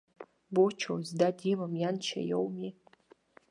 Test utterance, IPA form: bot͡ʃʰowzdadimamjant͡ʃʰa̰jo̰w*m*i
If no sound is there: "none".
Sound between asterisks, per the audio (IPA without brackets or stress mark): m